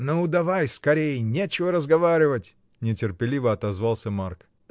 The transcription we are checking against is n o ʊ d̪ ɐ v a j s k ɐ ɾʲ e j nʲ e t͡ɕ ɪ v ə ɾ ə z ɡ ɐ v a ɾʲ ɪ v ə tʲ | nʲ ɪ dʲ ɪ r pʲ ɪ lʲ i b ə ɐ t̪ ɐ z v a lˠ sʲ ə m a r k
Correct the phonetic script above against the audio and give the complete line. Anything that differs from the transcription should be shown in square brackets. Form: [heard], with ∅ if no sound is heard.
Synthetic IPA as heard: n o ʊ d̪ ɐ v a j s k ɐ ɾʲ e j nʲ e t͡ɕ ɪ v ə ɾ ə z ɡ ɐ v a ɾʲ ɪ v ə tʲ | nʲ ɪ [tʲ] ɪ r pʲ ɪ lʲ i [v] ə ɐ t̪ ɐ z v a lˠ sʲ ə m a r k